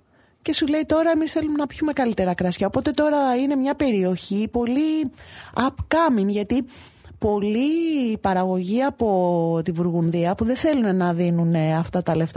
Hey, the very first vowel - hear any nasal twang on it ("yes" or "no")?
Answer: no